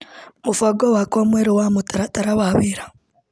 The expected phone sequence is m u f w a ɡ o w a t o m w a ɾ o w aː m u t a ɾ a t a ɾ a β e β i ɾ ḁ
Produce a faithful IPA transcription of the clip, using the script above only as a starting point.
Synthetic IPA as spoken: m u f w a ɡ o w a k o m w e ɾ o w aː m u t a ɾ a t a ɾ a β a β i ɾ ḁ